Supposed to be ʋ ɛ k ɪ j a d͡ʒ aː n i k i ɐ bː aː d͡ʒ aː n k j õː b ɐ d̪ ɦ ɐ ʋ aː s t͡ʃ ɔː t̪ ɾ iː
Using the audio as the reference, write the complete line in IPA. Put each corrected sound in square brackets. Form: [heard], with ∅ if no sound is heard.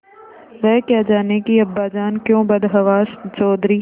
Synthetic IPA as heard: ʋ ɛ k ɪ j a d͡ʒ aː n [e] k i ɐ bː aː d͡ʒ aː n k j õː b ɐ d̪ ɦ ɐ ʋ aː s t͡ʃ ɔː [d̪] ɾ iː